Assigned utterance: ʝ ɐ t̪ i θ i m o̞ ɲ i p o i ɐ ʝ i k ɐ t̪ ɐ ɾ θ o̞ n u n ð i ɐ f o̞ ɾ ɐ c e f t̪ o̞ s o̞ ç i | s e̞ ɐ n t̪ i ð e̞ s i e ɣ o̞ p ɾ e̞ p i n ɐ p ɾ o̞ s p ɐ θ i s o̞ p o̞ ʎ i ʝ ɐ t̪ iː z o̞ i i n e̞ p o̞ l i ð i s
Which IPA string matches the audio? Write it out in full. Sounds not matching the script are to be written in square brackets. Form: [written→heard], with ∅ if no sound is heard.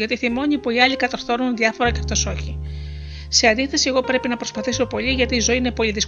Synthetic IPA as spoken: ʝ ɐ t̪ i θ i m o̞ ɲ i p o i ɐ [ʝ→ʎ] i k ɐ t̪ ɐ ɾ θ o̞ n u n ð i ɐ f o̞ ɾ ɐ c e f t̪ o̞ s o̞ ç i | s e̞ ɐ n [t̪→d̪] i [ð→θ] e̞ s i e ɣ o̞ p ɾ e̞ p i n ɐ p ɾ o̞ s p ɐ θ i s o̞ p o̞ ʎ i ʝ ɐ t̪ iː z o̞ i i n e̞ p o̞ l i ð i s